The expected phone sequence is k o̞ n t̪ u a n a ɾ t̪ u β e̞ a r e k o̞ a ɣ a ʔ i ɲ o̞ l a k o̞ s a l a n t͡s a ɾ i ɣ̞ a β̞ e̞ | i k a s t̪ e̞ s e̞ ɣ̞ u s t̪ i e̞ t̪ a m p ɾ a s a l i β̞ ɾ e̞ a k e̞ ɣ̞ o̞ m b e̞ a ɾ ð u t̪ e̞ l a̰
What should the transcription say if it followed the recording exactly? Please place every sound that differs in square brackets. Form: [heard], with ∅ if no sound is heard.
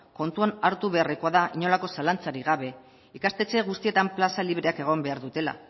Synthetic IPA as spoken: k o̞ n t̪ u a n a ɾ t̪ u β e̞ a r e k o̞ a [ð] a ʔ i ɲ o̞ l a k o̞ s a l a n t͡s a ɾ i ɣ̞ a β̞ e̞ | i k a s t̪ e̞ [t͡s] e̞ ɣ̞ u s t̪ i e̞ t̪ a m p [l] a s a l i β̞ ɾ e̞ a k e̞ ɣ̞ o̞ m b e̞ a ɾ ð u t̪ e̞ l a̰